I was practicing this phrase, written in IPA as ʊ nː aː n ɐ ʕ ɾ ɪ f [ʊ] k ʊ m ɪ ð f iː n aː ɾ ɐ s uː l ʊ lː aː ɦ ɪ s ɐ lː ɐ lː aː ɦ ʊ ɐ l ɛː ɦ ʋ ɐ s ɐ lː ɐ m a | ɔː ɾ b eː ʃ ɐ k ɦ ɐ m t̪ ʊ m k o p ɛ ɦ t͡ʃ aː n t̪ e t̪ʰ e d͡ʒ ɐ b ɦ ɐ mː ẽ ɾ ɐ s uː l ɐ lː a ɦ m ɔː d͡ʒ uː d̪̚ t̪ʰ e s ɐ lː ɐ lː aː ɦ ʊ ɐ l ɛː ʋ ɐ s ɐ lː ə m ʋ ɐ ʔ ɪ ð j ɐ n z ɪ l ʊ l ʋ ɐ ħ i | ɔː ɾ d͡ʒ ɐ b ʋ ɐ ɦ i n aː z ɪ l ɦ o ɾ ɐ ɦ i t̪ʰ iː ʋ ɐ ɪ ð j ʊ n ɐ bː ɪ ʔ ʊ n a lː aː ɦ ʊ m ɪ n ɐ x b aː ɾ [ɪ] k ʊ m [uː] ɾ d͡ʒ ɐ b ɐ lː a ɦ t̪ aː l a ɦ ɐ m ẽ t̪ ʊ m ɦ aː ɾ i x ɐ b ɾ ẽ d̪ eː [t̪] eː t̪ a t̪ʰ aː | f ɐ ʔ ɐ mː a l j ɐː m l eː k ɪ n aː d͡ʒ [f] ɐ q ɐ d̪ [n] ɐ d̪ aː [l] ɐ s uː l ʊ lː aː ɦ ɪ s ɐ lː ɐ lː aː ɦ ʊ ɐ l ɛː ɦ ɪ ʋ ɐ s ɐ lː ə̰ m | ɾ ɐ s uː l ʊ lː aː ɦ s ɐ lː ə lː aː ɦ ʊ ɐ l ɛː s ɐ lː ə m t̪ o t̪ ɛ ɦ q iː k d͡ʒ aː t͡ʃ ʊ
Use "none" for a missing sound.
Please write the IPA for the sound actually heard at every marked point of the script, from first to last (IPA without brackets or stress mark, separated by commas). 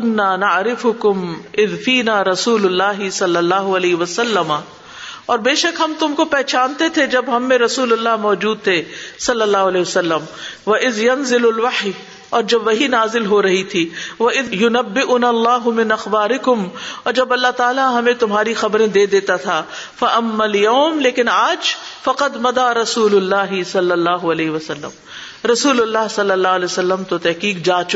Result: ʊ, ɪ, ɔː, d̪, f, m, ɾ